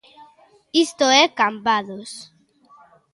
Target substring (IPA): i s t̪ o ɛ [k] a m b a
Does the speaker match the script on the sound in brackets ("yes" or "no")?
yes